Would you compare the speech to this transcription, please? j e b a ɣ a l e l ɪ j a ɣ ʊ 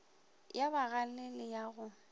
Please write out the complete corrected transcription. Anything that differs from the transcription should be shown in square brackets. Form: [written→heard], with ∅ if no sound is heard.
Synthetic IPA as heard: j [e→a] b a ɣ a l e l ɪ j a ɣ ʊ